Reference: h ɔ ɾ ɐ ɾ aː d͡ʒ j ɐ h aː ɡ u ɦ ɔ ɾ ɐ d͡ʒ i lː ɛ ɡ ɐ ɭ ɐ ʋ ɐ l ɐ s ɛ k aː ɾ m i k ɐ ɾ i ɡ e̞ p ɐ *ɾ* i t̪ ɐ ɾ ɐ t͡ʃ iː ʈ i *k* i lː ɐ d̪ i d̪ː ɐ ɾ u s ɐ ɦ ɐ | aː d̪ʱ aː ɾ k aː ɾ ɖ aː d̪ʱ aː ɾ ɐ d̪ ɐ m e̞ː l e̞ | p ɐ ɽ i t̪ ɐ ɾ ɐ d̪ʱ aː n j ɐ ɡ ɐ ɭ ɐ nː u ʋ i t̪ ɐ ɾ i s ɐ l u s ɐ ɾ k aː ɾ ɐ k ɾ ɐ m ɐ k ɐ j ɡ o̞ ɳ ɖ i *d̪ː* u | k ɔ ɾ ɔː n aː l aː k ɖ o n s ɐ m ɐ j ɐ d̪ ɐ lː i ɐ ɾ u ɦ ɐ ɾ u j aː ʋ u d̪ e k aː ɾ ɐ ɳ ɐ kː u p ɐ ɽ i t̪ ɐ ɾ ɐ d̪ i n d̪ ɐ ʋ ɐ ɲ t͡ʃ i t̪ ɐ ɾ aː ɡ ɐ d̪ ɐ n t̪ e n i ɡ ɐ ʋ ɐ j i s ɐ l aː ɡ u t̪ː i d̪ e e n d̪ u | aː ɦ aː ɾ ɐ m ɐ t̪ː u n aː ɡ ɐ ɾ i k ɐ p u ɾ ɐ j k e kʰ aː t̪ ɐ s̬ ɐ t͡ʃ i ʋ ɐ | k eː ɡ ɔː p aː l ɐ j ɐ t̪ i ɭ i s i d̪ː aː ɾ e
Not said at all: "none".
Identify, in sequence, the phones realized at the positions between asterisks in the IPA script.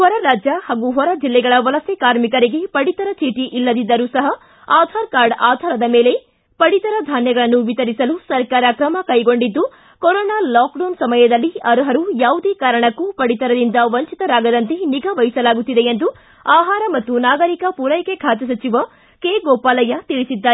ɽ, ʔ, d̪ː

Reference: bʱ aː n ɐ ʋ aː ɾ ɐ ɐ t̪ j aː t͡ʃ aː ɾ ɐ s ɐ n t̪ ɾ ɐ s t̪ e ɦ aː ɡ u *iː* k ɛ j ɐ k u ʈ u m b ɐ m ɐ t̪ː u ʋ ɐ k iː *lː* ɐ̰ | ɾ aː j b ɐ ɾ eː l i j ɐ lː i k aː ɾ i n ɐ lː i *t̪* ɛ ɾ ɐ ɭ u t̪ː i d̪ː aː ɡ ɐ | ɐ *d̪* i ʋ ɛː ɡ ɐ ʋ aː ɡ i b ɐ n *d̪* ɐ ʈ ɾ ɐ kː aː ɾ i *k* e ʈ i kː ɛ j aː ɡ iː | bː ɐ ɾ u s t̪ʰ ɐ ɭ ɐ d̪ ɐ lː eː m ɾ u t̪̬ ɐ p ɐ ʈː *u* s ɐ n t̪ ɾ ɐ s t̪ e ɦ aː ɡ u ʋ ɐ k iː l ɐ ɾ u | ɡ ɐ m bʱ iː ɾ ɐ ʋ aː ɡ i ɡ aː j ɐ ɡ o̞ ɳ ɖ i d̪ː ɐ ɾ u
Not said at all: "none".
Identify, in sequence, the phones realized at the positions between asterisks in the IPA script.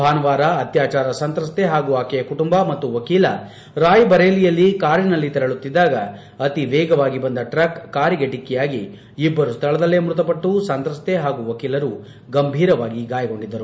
aː, l, t̪, t̪, d̪, ɡ, u

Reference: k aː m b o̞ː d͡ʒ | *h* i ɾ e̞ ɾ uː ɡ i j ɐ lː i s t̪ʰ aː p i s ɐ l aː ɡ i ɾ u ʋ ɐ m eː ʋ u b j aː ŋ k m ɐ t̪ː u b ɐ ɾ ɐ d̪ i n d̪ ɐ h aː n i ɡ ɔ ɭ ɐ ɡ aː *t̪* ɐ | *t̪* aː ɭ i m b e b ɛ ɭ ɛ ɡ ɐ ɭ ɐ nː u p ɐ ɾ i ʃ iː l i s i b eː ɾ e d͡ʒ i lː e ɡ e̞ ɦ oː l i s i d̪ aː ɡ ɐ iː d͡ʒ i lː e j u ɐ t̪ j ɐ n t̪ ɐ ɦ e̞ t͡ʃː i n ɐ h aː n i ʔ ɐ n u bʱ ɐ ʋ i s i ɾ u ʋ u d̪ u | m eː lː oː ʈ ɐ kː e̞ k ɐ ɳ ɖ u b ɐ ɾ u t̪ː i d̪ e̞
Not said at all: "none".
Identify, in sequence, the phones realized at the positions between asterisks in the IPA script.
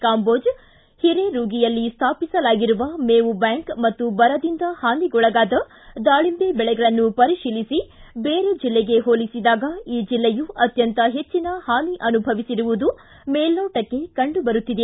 h, d̪, d̪

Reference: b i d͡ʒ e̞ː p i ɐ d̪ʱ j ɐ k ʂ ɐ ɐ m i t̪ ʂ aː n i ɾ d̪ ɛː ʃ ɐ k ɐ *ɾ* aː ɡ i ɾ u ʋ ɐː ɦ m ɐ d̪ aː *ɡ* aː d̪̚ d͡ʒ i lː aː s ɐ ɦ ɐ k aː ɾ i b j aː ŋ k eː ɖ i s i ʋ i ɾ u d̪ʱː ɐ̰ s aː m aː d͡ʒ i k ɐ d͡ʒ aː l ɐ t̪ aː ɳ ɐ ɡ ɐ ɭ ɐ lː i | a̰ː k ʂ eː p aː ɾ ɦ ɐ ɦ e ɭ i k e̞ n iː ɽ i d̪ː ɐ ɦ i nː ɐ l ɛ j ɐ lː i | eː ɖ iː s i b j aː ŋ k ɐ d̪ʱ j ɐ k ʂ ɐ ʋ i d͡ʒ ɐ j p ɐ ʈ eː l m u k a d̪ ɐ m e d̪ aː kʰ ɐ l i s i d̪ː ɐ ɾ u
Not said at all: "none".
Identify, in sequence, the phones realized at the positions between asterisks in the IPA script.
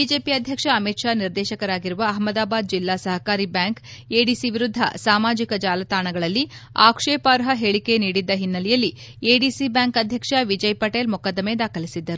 ɾ, b

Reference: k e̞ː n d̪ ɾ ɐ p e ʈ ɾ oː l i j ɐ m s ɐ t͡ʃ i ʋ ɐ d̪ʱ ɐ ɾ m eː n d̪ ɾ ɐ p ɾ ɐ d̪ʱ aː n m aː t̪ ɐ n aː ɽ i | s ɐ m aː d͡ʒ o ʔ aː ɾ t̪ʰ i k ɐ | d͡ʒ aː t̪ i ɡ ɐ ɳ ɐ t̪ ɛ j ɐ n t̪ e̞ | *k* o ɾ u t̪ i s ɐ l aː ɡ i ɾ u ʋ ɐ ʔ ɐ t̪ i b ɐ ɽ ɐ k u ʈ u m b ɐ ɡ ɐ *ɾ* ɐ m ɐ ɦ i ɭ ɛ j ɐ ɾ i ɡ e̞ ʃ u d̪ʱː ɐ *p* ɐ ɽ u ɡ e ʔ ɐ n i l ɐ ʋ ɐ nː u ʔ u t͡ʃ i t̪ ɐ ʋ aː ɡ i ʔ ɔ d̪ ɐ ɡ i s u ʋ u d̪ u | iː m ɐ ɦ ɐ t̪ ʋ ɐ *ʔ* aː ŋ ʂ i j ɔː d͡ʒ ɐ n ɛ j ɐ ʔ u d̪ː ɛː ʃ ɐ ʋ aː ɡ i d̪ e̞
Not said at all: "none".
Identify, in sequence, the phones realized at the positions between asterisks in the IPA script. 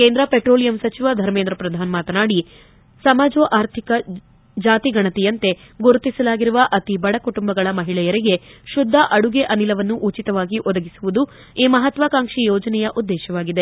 ɡ, ɭ, ʔ, k

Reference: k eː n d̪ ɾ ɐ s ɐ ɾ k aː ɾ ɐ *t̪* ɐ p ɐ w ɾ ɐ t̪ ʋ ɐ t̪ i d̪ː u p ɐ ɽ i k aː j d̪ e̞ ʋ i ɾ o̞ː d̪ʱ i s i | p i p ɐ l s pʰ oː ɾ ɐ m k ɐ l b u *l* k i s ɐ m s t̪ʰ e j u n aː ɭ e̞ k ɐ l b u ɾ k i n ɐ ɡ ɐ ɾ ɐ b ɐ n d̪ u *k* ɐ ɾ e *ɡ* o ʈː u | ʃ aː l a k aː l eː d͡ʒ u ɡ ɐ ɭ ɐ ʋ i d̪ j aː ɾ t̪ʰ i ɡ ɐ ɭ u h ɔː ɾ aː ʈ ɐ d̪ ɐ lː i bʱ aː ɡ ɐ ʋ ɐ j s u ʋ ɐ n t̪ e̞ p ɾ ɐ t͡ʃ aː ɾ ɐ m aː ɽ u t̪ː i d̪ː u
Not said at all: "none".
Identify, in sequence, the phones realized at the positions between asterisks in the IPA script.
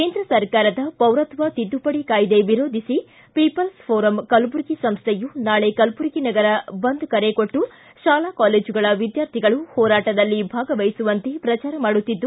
d̪, ɾ, k, k

